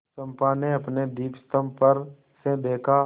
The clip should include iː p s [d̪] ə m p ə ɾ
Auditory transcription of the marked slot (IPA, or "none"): t̪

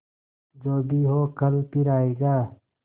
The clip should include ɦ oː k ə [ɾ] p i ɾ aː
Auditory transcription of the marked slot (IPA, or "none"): l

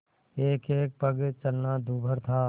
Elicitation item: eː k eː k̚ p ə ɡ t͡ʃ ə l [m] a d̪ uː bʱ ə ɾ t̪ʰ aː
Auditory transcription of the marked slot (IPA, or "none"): n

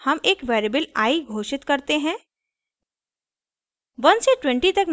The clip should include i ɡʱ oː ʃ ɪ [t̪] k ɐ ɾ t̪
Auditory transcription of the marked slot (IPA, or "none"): t̪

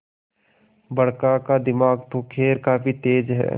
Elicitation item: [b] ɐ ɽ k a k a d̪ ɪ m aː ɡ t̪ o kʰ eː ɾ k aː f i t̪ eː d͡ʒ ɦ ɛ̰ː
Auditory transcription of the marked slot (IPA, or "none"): b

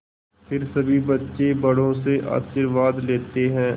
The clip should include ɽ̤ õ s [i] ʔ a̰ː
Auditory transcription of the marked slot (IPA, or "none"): e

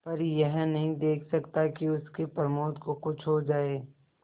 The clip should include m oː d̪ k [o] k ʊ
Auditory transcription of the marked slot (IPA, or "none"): o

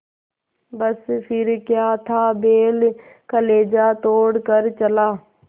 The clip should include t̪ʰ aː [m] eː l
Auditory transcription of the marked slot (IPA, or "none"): b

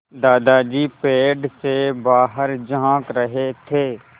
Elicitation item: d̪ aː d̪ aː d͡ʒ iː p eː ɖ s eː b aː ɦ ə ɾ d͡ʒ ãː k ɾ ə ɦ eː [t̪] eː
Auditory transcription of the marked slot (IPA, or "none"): t̪ʰ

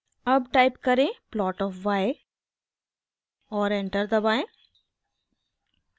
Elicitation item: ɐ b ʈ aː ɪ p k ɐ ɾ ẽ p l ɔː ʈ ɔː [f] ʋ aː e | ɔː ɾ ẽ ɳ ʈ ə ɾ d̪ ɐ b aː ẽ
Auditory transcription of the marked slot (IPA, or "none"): f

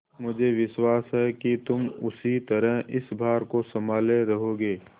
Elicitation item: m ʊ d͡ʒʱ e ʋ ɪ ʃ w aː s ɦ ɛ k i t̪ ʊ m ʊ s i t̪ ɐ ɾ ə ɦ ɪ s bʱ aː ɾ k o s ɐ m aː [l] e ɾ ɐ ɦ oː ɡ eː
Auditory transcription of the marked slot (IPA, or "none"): l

